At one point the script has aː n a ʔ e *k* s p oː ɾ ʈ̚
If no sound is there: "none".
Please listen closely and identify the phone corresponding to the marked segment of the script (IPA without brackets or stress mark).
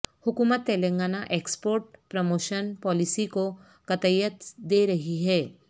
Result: k